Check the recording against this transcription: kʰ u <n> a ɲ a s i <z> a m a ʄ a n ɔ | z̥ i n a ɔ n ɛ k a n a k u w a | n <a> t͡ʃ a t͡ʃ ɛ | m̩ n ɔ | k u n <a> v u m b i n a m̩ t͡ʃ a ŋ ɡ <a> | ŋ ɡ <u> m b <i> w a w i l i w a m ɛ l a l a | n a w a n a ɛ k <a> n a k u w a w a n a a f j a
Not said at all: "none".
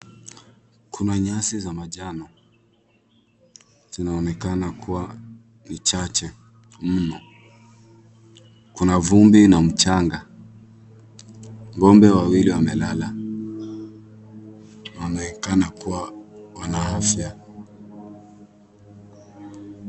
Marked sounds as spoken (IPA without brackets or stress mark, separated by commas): n, z, i, a, a, ɔ, ɛ, a